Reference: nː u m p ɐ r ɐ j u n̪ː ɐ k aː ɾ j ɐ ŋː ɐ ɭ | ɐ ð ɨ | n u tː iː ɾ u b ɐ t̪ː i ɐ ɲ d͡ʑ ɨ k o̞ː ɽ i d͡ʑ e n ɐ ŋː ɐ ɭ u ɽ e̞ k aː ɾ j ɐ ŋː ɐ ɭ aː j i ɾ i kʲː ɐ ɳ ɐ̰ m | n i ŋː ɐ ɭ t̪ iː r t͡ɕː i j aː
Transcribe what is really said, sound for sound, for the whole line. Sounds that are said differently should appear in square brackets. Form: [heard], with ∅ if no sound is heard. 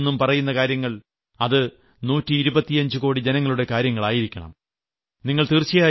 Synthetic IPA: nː u m p ɐ r ɐ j u n̪ː ɐ k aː ɾ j ɐ ŋː ɐ ɭ | ɐ ð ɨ | n [uː] tː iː ɾ u b ɐ t̪ː i ɐ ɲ d͡ʑ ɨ k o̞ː ɽ i d͡ʑ e n ɐ ŋː ɐ ɭ u ɽ e̞ k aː ɾ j ɐ ŋː ɐ ɭ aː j i ɾ i kʲː ɐ ɳ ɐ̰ m | n i ŋː ɐ ɭ t̪ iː r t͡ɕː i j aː